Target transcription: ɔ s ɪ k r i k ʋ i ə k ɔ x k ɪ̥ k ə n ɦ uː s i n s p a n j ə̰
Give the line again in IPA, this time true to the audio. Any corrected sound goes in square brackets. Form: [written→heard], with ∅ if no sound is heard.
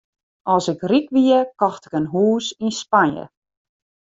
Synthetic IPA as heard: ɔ s ɪ k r i k ʋ i ə k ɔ x [k→t] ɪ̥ k ə n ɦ uː s i n s p a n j ə̰